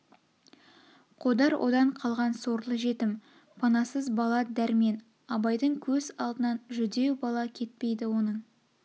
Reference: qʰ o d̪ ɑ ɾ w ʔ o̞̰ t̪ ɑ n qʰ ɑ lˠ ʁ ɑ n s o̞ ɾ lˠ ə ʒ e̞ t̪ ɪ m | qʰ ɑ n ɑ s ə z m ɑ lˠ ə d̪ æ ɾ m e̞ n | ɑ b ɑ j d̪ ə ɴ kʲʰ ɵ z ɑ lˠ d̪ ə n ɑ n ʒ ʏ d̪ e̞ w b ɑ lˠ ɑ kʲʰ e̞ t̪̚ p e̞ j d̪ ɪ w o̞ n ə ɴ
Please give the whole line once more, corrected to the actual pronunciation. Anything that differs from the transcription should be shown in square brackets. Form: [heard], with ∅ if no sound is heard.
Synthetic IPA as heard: qʰ o d̪ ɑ ɾ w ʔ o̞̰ [d̪] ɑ [ɴ] qʰ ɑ lˠ ʁ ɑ n s o̞ ɾ lˠ ə ʒ e̞ t̪ ɪ m | [pʰ] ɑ n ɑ s ə z [b] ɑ lˠ [ɑ] d̪ æ ɾ m e̞ n | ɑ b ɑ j d̪ ə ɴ kʲʰ ɵ z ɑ lˠ d̪ ə n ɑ n ʒ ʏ d̪ e̞ w b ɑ lˠ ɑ kʲʰ e̞ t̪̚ p e̞ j d̪ ɪ w o̞ n ə ɴ